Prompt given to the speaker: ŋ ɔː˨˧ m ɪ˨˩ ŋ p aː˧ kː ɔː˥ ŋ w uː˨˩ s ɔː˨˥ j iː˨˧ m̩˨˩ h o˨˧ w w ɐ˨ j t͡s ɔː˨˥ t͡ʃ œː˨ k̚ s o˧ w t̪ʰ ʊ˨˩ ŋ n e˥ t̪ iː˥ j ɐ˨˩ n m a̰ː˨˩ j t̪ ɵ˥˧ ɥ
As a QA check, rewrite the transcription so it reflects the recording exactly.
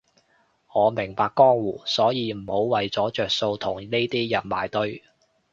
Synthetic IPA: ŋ ɔː˨˧ m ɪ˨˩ ŋ p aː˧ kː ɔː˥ ŋ w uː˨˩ s ɔː˨˥ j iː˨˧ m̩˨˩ h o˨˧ w w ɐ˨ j t͡s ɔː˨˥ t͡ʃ œː˨ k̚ s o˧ w t̪ʰ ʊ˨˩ ŋ n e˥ t̪ iː˥ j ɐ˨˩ n m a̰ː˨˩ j t̪ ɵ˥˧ ɥ